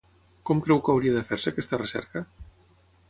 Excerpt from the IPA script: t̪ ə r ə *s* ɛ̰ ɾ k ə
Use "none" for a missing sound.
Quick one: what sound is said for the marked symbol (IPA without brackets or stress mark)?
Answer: s